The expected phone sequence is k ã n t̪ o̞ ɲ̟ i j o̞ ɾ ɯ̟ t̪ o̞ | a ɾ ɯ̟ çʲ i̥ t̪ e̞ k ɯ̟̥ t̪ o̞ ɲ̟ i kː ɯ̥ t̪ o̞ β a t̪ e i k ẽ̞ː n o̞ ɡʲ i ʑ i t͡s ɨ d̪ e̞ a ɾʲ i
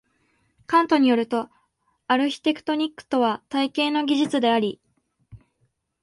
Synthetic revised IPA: k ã n t̪ o̞ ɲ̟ i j o̞ ɾ ɯ̟ t̪ o̞ | a ɾ ɯ̟ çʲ i̥ t̪ e̞ k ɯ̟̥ t̪ o̞ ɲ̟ i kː ɯ̥ t̪ o̞ β a t̪ a i k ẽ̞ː n o̞ ɡʲ i ʑ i t͡s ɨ d̪ e̞ a ɾʲ i